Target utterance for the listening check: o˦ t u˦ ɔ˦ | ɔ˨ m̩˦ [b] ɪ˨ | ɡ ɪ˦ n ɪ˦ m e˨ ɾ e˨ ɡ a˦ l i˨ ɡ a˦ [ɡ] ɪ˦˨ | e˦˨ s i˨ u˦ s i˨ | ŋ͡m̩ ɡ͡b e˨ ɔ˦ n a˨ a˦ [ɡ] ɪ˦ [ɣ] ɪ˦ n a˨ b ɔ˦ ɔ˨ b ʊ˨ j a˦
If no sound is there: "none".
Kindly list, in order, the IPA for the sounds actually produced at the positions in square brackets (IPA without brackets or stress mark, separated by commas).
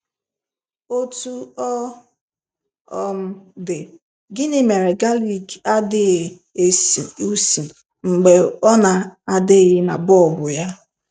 d, d, d, ɣ